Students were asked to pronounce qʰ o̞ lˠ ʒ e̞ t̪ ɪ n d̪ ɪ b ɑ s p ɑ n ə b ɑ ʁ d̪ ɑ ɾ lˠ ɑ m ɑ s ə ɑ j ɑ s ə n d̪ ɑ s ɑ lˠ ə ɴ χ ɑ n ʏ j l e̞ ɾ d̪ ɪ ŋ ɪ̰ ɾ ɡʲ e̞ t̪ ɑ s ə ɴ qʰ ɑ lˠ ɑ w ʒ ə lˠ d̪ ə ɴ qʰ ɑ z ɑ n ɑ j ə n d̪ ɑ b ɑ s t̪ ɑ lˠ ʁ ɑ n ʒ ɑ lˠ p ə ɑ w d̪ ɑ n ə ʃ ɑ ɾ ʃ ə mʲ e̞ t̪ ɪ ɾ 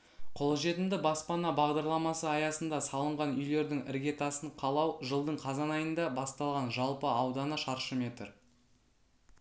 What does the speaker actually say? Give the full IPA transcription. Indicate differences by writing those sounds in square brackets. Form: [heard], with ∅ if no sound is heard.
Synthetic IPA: qʰ o̞ lˠ ʒ e̞ t̪ ɪ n d̪ ɪ b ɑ s p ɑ n [ɑ] b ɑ ʁ d̪ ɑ ɾ lˠ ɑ m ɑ s ə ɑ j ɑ s ə n d̪ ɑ s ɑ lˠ ə ɴ [ʁ] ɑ n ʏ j l e̞ ɾ d̪ ɪ ŋ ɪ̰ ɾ ɡʲ e̞ t̪ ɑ s ə ɴ qʰ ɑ lˠ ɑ w ʒ ə lˠ d̪ ə ɴ qʰ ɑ z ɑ n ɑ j ə n d̪ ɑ b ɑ s t̪ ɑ lˠ ʁ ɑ n ʒ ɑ lˠ p ə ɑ w d̪ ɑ n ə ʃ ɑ ɾ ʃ ə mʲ e̞ t̪ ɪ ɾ

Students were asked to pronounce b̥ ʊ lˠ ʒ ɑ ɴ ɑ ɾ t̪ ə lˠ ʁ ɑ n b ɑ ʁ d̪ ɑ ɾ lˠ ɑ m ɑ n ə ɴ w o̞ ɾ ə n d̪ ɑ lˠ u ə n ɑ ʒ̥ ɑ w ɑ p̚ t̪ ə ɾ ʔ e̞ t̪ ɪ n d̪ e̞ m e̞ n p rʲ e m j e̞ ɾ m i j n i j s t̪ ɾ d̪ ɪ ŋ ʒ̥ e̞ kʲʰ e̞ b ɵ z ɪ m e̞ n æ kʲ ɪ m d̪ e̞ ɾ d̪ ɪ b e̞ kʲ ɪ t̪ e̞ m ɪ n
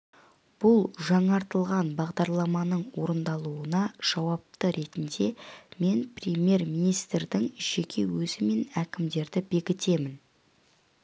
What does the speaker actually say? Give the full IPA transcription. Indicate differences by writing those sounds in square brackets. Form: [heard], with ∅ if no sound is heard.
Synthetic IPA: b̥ ʊ lˠ ʒ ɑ ɴ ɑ ɾ t̪ ə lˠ ʁ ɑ n b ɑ ʁ d̪ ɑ ɾ lˠ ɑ m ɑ n ə ɴ w o̞ ɾ ə n d̪ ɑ lˠ u ə n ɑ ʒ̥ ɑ w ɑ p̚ t̪ ə ɾ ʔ e̞ t̪ ɪ n d̪ e̞ m e̞ n p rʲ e m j e̞ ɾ m i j n i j s t̪ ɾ d̪ ɪ ŋ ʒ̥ e̞ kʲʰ e̞ [w] ɵ z ɪ m e̞ n æ kʲ ɪ m d̪ e̞ ɾ d̪ ɪ b e̞ kʲ ɪ t̪ e̞ m ɪ n

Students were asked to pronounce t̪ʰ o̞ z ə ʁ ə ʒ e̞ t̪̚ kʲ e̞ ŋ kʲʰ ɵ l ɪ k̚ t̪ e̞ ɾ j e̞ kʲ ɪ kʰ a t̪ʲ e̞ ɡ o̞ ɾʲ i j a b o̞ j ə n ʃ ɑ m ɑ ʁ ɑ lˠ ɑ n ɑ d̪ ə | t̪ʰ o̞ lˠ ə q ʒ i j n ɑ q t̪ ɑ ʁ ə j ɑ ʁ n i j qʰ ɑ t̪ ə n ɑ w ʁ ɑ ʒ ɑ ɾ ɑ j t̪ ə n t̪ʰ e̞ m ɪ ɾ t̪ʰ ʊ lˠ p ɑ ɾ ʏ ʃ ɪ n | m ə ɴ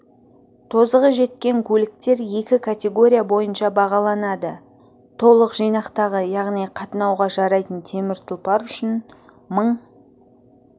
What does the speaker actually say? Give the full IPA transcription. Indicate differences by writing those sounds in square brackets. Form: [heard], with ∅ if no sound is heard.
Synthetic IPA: t̪ʰ o̞ z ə ʁ ə ʒ e̞ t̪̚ kʲ e̞ ŋ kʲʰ ɵ l ɪ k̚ t̪ e̞ ɾ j e̞ kʲ ɪ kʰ a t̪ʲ e̞ ɡ o̞ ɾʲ i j a b o̞ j ə n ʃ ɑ [b] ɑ ʁ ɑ lˠ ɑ n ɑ d̪ ə | t̪ʰ o̞ lˠ ə q ʒ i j n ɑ q t̪ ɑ ʁ ə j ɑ ʁ n i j qʰ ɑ t̪ ə n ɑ w ʁ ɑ ʒ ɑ ɾ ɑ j t̪ ə n t̪ʰ e̞ m ɪ ɾ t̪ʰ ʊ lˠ p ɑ ɾ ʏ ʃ ɪ n | m ə ɴ

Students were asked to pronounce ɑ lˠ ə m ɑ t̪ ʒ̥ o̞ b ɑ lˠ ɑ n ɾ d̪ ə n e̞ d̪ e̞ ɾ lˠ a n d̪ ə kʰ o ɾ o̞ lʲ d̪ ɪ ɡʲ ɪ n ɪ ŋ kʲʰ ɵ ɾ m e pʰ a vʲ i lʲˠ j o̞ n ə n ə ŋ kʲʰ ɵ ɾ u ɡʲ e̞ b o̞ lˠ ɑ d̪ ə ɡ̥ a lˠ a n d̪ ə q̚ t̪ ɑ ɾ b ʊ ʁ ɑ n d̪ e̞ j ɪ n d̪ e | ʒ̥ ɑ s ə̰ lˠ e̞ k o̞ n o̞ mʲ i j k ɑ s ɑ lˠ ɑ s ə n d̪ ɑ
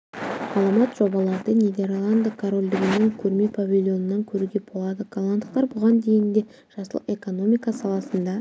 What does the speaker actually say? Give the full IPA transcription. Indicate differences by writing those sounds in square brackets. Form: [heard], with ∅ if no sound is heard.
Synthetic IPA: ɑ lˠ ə m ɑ t̪ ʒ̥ o̞ b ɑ lˠ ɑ [∅] ɾ d̪ ə n e̞ d̪ e̞ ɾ lˠ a n d̪ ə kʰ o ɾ o̞ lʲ d̪ ɪ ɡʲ ɪ n ɪ ŋ kʲʰ ɵ ɾ m e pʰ a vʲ i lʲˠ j o̞ n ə n [ɑ] ŋ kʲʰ ɵ ɾ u ɡʲ e̞ b o̞ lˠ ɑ d̪ ə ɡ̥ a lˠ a n d̪ ə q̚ t̪ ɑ ɾ b ʊ ʁ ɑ n d̪ e̞ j ɪ n d̪ e | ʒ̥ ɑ s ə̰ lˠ e̞ k o̞ n o̞ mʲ i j k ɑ s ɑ lˠ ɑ s ə n d̪ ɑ

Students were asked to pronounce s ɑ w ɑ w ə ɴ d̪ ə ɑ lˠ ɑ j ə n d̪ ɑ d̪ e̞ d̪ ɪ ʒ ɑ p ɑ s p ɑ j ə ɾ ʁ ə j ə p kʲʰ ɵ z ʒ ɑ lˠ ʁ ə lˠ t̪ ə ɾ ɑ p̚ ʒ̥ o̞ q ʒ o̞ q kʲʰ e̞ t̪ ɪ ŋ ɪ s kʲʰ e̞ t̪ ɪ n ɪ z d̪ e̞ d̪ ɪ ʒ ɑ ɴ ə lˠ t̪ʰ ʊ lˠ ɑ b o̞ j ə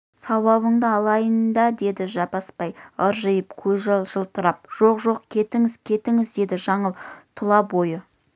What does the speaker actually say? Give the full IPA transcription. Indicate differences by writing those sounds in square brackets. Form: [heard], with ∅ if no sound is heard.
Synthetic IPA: s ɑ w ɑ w ə ɴ d̪ ə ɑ lˠ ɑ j ə n d̪ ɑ d̪ e̞ d̪ ɪ ʒ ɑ p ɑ s p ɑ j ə ɾ [ʒ] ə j ə p kʲʰ ɵ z ʒ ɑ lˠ [ʒ] ə lˠ t̪ ə ɾ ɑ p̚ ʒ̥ o̞ q ʒ o̞ q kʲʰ e̞ t̪ ɪ ŋ ɪ [z] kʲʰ e̞ t̪ ɪ [ŋ] ɪ z d̪ e̞ d̪ ɪ ʒ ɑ ɴ ə lˠ t̪ʰ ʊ lˠ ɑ b o̞ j ə

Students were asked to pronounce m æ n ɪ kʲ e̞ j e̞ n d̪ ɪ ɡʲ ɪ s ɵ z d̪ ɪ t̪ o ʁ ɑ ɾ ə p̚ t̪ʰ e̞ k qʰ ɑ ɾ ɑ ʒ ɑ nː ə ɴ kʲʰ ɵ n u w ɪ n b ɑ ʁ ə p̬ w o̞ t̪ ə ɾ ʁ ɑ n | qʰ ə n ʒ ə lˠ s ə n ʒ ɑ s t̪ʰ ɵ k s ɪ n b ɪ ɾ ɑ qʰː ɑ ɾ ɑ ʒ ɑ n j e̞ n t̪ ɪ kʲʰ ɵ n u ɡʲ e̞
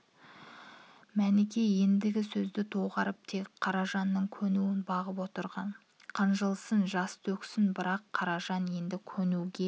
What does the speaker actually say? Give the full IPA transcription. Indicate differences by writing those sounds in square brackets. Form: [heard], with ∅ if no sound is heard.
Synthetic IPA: m æ n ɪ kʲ e̞ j e̞ n d̪ ɪ ɡʲ ɪ s ɵ z d̪ ɪ [t̪ʰ] o ʁ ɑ ɾ ə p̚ t̪ʰ e̞ k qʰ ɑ ɾ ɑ ʒ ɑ nː ə ɴ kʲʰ ɵ n u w ɪ n b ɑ ʁ ə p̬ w o̞ t̪ ə ɾ ʁ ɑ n | qʰ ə n ʒ ə lˠ s ə n ʒ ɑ s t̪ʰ ɵ k s ɪ n b ɪ ɾ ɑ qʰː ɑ ɾ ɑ ʒ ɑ n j e̞ n [d̪] ɪ kʲʰ ɵ n u ɡʲ e̞

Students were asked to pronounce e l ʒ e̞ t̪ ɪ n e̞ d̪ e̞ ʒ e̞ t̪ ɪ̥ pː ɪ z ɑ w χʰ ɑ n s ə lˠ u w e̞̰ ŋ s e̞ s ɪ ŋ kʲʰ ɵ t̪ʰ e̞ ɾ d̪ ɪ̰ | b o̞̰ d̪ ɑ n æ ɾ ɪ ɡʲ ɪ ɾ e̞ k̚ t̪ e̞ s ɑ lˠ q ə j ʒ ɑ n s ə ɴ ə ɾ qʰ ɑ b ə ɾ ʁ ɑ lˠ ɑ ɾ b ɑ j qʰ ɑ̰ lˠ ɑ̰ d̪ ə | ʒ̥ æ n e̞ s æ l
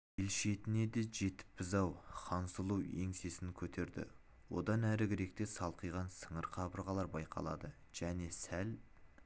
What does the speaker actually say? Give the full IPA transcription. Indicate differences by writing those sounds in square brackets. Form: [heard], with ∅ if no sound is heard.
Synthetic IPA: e l [ʃ] e̞ t̪ ɪ n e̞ d̪ e̞ ʒ e̞ t̪ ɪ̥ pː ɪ z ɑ w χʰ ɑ n s ə lˠ u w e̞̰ ŋ s e̞ s ɪ ŋ kʲʰ ɵ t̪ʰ e̞ ɾ d̪ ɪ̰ | [w] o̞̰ d̪ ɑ n æ ɾ ɪ ɡʲ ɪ ɾ e̞ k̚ t̪ e̞ s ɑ lˠ q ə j [ʁ] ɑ n s ə ɴ ə ɾ qʰ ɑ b ə ɾ ʁ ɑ lˠ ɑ ɾ b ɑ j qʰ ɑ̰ lˠ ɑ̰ d̪ ə | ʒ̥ æ n e̞ s æ l

